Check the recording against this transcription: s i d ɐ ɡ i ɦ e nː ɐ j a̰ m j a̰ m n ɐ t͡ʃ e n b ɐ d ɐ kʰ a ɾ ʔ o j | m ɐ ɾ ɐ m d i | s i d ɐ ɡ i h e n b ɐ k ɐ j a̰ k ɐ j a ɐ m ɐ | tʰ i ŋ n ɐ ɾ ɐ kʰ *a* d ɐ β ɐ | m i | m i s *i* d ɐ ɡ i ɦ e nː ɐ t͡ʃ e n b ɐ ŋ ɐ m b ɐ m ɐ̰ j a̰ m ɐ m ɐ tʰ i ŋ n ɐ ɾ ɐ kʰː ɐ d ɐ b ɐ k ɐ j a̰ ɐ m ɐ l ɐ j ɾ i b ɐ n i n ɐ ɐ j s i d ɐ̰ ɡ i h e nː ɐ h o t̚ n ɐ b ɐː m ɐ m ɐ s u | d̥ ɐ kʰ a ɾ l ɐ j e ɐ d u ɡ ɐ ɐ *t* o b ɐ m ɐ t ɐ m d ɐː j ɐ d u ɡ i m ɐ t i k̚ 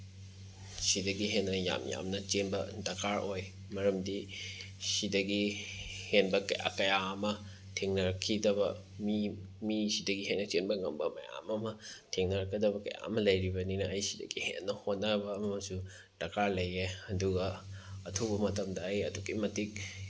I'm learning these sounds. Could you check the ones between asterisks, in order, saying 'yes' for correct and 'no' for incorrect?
no, yes, no

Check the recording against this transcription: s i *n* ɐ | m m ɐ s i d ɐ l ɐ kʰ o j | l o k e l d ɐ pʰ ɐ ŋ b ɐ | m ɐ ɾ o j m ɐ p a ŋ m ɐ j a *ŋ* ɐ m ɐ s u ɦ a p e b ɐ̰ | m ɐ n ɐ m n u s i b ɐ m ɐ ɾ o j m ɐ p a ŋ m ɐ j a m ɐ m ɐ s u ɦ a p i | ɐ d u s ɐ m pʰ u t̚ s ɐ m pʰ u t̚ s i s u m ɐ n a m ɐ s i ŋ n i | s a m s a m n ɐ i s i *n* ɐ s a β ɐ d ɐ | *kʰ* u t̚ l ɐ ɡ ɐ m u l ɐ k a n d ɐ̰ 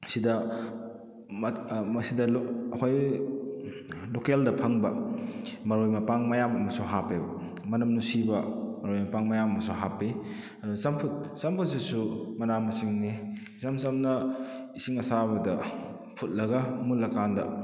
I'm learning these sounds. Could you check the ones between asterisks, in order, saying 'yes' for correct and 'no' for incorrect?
no, no, no, no

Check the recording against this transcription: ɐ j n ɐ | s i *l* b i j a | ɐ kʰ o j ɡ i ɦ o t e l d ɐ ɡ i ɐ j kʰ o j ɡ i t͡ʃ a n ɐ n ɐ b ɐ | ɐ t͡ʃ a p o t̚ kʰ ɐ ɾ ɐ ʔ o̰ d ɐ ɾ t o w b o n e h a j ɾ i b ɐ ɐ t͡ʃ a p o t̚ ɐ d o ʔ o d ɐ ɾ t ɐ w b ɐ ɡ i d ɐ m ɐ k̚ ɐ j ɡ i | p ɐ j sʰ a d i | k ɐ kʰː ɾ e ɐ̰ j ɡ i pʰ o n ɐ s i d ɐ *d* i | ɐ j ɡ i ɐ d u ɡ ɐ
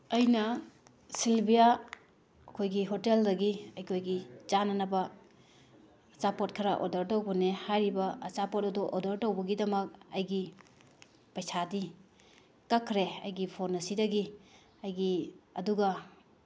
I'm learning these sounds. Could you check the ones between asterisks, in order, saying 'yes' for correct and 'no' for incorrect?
yes, no

